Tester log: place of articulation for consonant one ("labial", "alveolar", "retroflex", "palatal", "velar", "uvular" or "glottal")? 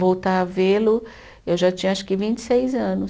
labial